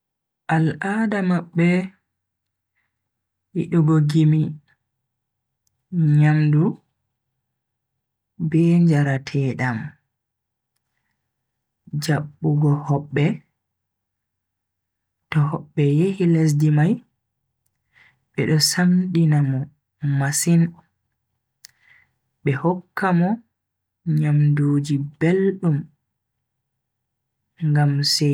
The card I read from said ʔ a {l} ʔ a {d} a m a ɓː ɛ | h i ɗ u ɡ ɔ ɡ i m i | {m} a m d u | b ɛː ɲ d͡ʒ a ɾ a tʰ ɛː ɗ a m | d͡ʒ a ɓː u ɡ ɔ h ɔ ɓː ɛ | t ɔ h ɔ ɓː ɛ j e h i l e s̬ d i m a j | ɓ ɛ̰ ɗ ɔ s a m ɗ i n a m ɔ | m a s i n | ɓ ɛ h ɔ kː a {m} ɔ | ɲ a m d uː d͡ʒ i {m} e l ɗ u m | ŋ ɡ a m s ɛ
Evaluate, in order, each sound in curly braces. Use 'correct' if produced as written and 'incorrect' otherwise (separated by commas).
correct, correct, incorrect, correct, incorrect